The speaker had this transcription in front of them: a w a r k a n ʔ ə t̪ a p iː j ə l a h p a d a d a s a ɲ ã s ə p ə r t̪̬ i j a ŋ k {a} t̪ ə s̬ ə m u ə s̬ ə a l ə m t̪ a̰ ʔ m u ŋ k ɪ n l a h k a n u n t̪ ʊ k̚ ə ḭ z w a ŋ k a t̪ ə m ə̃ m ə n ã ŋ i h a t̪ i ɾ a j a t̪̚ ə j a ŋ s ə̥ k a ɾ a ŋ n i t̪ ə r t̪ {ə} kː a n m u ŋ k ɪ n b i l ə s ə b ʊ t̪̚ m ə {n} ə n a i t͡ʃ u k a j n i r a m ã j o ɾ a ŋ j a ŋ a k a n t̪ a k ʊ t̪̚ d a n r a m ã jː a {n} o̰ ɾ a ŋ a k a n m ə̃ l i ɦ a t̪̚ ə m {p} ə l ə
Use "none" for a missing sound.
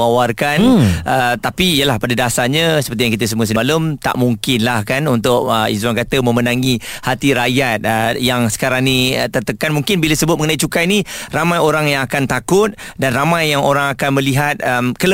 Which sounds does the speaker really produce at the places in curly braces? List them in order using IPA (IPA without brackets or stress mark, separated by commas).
i, ə, ŋ, ŋ, k